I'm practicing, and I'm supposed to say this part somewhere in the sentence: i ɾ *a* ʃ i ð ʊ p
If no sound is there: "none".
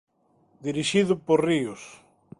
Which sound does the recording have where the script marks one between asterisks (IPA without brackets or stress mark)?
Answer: i